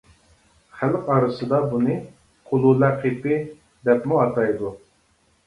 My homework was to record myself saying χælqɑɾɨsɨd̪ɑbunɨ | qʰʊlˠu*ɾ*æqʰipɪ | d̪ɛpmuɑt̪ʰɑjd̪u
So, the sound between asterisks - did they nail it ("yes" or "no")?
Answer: no